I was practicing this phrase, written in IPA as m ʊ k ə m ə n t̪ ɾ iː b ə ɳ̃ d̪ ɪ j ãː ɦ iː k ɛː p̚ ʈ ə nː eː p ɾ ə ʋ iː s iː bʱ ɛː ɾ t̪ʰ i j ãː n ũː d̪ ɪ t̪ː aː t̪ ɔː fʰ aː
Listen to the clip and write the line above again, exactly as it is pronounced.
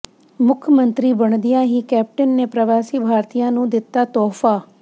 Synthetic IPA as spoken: m ʊ kʰ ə m ə n t̪ ɾ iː b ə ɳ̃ d̪ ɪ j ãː ɦ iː k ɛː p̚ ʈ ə nː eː p ɾ ə ʋ aː s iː bʱ aː ɾ t̪ i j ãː n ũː d̪ ɪ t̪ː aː t̪ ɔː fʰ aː